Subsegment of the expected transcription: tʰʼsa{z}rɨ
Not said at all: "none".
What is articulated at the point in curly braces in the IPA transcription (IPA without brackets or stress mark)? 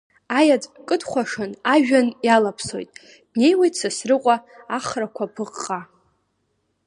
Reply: s